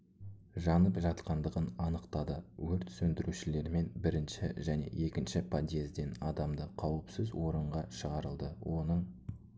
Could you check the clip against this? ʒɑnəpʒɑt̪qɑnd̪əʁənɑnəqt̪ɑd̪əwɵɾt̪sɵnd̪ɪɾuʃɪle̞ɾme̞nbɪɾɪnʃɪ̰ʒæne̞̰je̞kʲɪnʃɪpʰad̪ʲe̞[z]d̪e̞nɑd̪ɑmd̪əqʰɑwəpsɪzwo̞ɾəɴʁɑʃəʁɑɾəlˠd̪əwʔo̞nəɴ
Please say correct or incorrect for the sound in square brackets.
correct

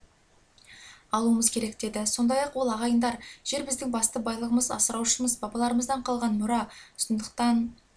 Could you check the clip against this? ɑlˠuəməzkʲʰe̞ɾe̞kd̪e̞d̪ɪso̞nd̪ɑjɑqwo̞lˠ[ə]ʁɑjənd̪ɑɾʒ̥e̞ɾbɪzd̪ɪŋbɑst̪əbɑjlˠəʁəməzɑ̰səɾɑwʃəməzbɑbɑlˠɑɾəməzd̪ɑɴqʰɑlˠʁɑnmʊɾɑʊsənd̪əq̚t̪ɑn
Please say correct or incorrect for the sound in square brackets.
incorrect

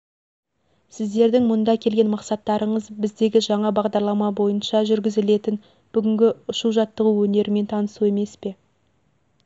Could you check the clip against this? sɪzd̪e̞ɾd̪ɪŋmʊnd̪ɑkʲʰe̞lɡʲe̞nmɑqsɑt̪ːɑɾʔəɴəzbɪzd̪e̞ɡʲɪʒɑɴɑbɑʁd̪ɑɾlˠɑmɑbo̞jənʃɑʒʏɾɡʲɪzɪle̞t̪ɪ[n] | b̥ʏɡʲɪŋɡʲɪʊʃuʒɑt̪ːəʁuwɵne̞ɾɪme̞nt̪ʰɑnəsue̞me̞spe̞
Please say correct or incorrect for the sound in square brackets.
correct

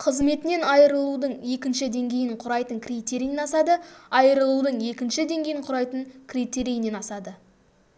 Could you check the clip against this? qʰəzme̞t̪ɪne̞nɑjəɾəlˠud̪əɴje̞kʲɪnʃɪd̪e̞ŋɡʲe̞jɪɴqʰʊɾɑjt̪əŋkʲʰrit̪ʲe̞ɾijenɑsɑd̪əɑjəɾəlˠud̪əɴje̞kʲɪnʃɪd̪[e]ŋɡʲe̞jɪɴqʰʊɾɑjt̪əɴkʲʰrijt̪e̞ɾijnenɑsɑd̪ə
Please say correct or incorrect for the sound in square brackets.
correct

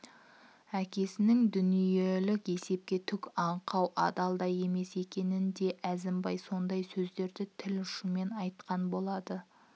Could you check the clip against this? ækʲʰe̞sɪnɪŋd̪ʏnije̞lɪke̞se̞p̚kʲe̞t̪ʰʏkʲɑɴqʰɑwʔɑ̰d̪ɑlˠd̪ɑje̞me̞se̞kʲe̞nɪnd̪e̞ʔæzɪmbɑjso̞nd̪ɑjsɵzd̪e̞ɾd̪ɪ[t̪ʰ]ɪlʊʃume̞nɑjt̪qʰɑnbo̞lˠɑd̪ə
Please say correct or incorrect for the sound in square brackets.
correct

